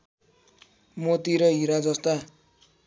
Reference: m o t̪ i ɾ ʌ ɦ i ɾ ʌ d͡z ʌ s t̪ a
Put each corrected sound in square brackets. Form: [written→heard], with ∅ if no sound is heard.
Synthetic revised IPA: m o t̪ i ɾ ʌ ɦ i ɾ [ʌ→a] d͡z ʌ s t̪ a